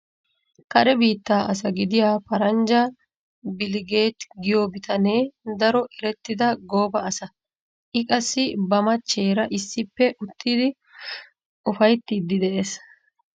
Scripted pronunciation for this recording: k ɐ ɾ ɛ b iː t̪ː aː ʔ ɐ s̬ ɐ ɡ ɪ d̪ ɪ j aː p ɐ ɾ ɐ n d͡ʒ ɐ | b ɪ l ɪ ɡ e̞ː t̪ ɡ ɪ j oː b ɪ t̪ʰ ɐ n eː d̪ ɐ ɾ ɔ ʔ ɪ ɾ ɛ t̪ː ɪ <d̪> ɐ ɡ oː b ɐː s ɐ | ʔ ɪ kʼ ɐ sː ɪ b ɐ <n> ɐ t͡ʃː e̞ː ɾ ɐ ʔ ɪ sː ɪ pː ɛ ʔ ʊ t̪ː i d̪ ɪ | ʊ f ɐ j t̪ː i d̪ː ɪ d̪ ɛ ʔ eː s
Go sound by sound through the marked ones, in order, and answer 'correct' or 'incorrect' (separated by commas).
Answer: correct, incorrect